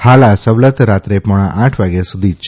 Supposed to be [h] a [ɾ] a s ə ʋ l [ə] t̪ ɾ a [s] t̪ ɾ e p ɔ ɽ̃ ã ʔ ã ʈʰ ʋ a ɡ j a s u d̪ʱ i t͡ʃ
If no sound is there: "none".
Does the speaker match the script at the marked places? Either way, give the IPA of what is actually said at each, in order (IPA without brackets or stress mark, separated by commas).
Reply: h, l, ə, none